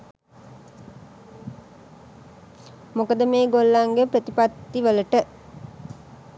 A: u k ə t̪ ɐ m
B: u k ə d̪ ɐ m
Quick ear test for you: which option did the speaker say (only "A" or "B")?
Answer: B